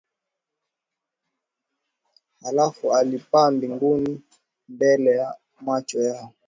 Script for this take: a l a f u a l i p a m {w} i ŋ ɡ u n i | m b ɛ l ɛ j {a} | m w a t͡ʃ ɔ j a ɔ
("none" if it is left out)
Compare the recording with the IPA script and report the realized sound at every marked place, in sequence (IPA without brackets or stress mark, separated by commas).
b, a